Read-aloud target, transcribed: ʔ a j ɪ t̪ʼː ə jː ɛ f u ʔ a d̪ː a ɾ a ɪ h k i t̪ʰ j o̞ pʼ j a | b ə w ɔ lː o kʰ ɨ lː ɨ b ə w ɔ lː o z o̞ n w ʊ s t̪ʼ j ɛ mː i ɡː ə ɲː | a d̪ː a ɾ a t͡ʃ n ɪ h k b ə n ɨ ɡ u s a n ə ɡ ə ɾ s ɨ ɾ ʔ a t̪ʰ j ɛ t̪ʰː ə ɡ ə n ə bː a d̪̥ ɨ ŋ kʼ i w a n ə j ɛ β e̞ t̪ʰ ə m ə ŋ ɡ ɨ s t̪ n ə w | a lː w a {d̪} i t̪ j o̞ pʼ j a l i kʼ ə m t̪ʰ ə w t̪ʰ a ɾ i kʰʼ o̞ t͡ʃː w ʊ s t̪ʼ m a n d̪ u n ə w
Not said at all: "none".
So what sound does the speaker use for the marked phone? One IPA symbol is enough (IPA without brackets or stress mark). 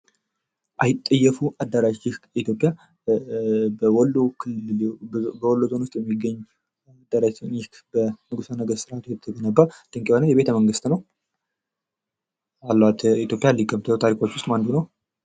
t̪